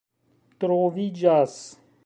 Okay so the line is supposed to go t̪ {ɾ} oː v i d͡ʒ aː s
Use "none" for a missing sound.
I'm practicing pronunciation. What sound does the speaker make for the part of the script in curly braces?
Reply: ɾ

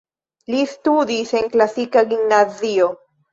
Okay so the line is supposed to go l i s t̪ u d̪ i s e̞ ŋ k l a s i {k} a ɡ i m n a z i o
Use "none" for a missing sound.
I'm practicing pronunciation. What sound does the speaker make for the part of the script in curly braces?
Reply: k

